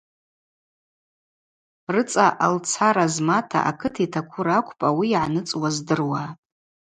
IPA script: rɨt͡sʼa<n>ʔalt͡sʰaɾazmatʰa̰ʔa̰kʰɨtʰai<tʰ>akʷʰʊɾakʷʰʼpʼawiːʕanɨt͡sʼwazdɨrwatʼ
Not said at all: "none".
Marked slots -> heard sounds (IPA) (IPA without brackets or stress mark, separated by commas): none, tʰ